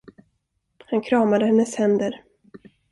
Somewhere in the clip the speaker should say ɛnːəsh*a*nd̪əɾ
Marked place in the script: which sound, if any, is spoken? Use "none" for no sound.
ɛ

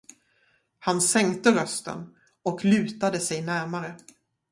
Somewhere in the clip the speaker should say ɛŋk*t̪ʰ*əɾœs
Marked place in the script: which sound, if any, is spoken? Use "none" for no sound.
t̪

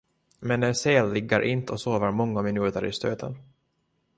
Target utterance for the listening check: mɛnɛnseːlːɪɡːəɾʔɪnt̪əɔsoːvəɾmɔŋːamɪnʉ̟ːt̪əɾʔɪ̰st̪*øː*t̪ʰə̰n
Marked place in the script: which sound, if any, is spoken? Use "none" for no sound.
øː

